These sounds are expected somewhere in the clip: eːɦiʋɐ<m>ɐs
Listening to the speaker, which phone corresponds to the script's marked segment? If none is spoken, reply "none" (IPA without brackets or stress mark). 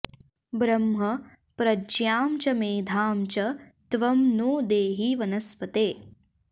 n